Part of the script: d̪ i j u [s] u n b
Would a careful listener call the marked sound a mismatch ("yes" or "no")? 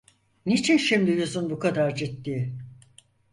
yes